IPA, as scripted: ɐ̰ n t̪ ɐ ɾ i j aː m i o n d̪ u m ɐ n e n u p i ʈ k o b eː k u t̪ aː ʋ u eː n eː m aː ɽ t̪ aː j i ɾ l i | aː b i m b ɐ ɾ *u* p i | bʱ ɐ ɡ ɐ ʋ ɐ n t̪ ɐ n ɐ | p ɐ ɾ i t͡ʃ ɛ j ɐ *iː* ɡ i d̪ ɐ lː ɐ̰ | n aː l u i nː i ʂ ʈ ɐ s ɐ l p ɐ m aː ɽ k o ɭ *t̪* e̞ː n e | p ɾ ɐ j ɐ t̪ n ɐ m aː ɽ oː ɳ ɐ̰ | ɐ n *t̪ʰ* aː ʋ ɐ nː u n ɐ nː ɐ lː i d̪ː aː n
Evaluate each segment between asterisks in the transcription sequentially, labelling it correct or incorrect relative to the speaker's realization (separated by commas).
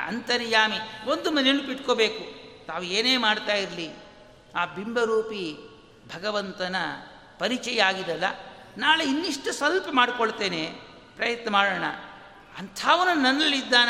incorrect, incorrect, correct, correct